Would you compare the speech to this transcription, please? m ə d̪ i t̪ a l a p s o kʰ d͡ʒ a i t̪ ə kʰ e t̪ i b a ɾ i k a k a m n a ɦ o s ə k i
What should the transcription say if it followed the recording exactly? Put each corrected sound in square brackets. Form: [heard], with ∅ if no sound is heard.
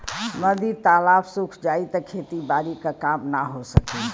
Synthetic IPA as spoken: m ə d̪ i t̪ a l a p s [u] kʰ d͡ʒ a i t̪ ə kʰ e t̪ i b a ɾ i k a k a m n a ɦ o s ə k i